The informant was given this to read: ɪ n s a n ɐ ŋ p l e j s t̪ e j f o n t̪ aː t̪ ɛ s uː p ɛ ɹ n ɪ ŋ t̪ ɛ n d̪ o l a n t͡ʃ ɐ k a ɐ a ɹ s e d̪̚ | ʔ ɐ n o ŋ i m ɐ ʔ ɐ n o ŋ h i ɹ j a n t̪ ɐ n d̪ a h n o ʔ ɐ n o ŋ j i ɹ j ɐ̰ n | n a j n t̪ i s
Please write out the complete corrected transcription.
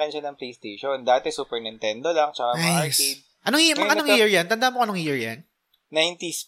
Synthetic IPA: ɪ n ʃ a n ɐ ŋ p l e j s t̪ e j ʃ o n d̪ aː t̪ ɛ s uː p ɛ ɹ n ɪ n t̪ ɛ n d̪ o l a ŋ t͡ʃ ɐ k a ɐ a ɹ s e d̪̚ | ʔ ɐ n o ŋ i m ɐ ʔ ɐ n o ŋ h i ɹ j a n t̪ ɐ n d̪ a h m o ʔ ɐ n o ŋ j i ɹ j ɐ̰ n | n a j n t̪ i s